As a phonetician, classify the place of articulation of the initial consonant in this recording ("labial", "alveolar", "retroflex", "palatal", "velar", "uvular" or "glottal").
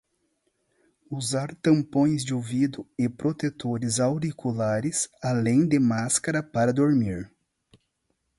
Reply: alveolar